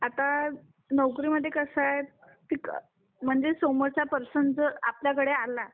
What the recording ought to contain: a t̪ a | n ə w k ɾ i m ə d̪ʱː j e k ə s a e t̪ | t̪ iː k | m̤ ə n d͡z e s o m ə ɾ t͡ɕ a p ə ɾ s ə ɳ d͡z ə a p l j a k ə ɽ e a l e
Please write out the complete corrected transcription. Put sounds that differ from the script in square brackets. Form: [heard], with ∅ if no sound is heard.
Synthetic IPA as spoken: a t̪ a | n ə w k ɾ i m ə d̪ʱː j e k ə s a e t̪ | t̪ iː k | m̤ ə [ɳ] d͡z e s o m ə ɾ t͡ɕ a p ə ɾ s ə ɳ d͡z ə a p l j a k ə ɽ e a l [a]